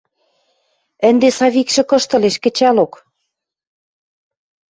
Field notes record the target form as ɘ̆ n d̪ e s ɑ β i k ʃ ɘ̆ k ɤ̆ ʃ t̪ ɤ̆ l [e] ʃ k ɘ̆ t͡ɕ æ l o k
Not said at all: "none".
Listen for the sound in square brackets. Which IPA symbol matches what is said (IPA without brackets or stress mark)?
e